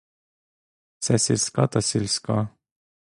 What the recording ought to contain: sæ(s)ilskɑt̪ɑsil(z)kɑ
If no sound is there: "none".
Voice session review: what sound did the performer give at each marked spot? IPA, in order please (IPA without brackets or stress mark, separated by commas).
s, s